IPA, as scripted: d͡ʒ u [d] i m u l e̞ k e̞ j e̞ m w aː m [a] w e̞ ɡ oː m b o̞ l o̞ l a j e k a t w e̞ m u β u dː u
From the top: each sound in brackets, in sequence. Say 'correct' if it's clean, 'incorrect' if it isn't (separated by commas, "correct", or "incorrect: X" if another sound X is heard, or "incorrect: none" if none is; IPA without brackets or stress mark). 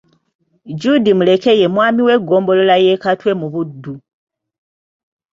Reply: correct, incorrect: i